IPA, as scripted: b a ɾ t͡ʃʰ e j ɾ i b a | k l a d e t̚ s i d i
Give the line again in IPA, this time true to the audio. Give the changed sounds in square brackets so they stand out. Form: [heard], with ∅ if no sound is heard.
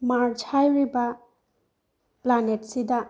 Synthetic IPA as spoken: [m] a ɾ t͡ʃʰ [a] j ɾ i b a | [p] l a [n] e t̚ s i d [a]